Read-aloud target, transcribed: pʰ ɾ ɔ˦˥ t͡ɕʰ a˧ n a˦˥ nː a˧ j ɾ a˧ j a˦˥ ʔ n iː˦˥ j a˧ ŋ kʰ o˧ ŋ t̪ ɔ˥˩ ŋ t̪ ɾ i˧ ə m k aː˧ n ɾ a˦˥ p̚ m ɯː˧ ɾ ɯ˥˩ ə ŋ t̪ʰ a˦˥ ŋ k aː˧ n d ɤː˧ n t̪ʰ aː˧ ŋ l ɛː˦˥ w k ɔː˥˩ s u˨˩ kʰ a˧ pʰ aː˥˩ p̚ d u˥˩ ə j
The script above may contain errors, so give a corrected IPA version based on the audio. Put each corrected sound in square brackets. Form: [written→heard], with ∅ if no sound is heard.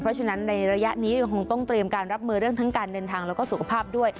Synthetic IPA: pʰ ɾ ɔ˦˥ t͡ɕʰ a˧ n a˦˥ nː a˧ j ɾ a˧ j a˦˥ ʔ n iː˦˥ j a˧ ŋ kʰ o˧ ŋ t̪ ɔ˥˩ ŋ t̪ ɾ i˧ ə m k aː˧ n ɾ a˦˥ p̚ m ɯː˧ ɾ ɯ˥˩ ə ŋ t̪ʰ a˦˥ ŋ k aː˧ n d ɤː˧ n t̪ʰ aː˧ ŋ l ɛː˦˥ w k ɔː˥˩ s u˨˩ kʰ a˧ pʰ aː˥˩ p̚ d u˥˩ ə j